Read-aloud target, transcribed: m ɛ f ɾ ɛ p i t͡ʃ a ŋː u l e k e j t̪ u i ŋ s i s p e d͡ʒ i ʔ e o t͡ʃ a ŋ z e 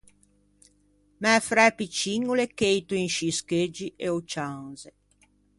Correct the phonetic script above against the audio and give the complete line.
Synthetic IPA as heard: m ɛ f ɾ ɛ p i t͡ʃ i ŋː u l e k e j t̪ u i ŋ ʃ i s k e d͡ʒ i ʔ e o t͡ʃ a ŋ z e